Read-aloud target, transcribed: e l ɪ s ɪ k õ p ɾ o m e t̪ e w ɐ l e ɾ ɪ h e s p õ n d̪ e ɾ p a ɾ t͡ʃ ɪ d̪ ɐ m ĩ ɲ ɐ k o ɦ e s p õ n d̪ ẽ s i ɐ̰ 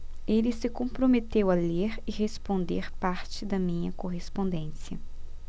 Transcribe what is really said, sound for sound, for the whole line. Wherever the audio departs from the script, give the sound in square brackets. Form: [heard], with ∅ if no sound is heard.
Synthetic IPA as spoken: e l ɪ s ɪ k õ p ɾ o m e t̪ e w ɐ l e ɾ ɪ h e s p õ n d̪ e ɾ p a ɾ t͡ʃ ɪ d̪ ɐ m ĩ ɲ ɐ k o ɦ e s p õ n d̪ ẽ s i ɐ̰